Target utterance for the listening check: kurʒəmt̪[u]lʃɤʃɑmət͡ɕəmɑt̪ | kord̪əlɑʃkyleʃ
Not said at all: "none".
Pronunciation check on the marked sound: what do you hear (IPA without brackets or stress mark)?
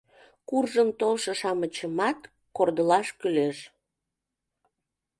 o